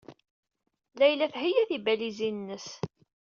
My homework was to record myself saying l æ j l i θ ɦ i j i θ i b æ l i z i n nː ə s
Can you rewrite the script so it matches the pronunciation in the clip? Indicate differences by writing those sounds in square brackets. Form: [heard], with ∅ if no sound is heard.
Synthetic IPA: l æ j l [æ] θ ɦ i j [æ] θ i b æ l i z i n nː ə s